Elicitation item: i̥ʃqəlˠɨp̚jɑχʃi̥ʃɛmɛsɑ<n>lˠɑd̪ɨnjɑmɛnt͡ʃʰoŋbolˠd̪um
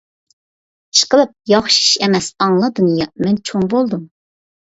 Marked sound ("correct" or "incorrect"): incorrect